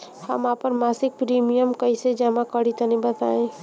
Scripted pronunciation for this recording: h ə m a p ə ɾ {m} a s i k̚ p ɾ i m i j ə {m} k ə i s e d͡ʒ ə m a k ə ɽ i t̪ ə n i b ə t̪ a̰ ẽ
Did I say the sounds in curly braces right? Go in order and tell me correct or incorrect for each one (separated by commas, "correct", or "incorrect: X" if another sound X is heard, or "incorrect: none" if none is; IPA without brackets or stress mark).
correct, correct